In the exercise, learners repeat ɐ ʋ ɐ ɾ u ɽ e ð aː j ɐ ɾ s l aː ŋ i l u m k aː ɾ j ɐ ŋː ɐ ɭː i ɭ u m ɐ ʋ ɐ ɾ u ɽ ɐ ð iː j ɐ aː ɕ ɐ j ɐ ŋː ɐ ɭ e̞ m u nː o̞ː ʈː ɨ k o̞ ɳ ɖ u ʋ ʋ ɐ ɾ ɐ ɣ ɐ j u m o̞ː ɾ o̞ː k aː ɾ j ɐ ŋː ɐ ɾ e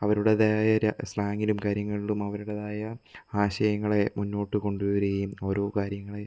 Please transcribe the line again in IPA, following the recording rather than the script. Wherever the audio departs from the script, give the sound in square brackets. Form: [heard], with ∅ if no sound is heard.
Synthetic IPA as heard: ɐ ʋ ɐ ɾ u ɽ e ð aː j ɐ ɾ s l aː ŋ i l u m k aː ɾ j ɐ ŋː ɐ [ɭ] i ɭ u m ɐ ʋ ɐ ɾ u ɽ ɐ ð [aː] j ɐ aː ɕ ɐ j ɐ ŋː ɐ ɭ e̞ m u nː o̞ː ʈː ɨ k o̞ ɳ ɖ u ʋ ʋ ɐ ɾ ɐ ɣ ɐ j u m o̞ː ɾ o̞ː k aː ɾ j ɐ ŋː ɐ [ɭ] e

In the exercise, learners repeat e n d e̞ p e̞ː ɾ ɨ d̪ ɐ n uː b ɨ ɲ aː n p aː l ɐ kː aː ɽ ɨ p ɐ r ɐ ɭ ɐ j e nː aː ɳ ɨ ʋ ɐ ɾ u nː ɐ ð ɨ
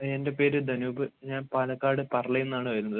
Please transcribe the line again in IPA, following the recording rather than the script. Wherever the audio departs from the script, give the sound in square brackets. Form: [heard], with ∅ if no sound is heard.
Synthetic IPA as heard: e n d e̞ p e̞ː ɾ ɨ d̪ ɐ n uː b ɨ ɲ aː n p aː l ɐ kː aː ɽ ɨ p ɐ r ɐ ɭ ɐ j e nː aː ɳ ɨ ʋ ɐ ɾ u nː ɐ ð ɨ

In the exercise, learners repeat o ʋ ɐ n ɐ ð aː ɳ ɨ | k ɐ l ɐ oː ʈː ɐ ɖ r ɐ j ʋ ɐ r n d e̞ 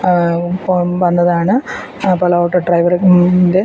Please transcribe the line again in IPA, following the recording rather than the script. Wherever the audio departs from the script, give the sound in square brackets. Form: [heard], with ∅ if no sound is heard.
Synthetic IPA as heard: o ʋ ɐ [nː] ɐ ð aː ɳ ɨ | [p] ɐ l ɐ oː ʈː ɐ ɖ r ɐ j ʋ ɐ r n d e̞

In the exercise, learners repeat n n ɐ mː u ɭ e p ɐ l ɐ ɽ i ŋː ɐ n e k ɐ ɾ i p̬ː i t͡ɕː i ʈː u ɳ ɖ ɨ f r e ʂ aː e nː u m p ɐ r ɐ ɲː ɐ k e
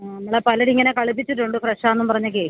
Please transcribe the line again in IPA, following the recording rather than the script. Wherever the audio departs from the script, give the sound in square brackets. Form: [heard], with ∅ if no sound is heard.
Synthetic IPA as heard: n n ɐ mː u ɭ e p ɐ l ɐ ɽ i ŋː ɐ n e k ɐ [ɭ] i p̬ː i t͡ɕː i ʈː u ɳ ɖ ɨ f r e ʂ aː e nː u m p ɐ r ɐ ɲː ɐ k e

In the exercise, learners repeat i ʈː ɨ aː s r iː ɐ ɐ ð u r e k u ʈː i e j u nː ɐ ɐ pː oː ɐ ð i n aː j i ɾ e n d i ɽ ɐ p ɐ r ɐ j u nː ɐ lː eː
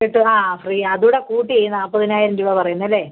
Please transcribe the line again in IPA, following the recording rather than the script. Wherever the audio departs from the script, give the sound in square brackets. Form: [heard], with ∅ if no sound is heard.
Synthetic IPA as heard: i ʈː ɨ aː [f] r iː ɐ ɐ ð u [ɽ] e k [uː] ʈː i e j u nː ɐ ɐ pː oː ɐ ð i n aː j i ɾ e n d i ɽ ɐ p ɐ r ɐ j u nː ɐ lː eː

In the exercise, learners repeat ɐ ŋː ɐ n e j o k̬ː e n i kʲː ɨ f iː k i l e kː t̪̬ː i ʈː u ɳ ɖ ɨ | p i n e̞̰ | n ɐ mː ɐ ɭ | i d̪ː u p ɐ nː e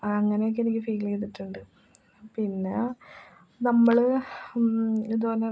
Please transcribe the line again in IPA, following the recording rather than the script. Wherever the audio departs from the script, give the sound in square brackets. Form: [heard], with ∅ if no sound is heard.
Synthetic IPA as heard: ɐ ŋː ɐ n e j o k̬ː e n i kʲː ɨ f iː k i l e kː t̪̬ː i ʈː u ɳ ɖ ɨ | p i [nː] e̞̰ | n ɐ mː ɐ ɭ | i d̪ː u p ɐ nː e

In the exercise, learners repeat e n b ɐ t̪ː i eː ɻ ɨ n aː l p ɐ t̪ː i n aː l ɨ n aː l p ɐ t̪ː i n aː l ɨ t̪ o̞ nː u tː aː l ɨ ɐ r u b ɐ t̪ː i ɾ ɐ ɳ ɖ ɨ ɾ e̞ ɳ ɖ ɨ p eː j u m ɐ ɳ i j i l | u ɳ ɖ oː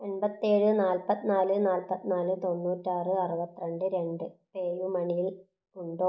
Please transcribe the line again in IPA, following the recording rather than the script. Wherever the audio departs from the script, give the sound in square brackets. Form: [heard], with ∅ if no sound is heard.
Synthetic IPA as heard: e n b ɐ t̪ː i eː ɻ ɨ n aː l p ɐ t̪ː i n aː l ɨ n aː l p ɐ t̪ː i n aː l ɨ t̪ o̞ nː [uː] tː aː [r] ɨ ɐ r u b ɐ t̪ː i ɾ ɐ ɳ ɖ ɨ ɾ e̞ ɳ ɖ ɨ p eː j u m ɐ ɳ i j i l | u ɳ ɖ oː

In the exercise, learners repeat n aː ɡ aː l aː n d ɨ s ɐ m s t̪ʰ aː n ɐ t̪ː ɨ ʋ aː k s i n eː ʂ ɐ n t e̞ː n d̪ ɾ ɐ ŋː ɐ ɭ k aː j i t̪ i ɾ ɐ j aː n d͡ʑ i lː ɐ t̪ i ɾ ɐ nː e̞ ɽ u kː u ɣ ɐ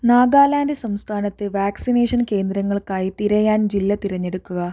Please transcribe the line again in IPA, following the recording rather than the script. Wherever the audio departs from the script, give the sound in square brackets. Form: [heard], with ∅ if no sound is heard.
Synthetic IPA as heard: n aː ɡ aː l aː n d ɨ s ɐ m s t̪ʰ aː n ɐ t̪ː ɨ ʋ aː k s i n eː ʂ ɐ n [k] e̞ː n d̪ ɾ ɐ ŋː ɐ ɭ k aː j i t̪ i ɾ ɐ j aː n d͡ʑ i lː ɐ t̪ i ɾ ɐ [ɲː] e̞ ɽ u kː u ɣ ɐ

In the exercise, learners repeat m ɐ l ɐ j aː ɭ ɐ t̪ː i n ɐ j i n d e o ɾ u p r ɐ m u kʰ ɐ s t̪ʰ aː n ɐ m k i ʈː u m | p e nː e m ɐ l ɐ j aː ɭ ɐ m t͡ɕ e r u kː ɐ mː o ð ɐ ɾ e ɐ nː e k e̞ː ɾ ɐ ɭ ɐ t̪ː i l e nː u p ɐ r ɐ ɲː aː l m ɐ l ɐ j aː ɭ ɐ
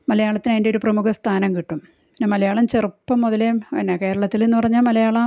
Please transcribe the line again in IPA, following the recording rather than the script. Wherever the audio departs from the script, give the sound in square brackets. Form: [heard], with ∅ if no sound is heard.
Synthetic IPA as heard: m ɐ l ɐ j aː ɭ ɐ t̪ː i n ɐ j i n d e o ɾ u p r ɐ m u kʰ ɐ s t̪ʰ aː n ɐ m k i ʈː u m | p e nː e m ɐ l ɐ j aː ɭ ɐ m t͡ɕ e r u [pː] ɐ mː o ð ɐ [l] e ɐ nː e k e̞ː ɾ ɐ ɭ ɐ t̪ː i l e nː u p ɐ r ɐ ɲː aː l m ɐ l ɐ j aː ɭ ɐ

